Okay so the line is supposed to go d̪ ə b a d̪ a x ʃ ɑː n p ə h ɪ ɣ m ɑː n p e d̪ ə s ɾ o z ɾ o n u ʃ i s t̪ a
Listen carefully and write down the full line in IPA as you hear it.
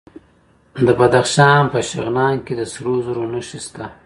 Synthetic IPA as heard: d̪ ə b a d̪ a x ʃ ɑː n p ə ʃ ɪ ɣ n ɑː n k e d̪ ə s ɾ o z ɾ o n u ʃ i s t̪ a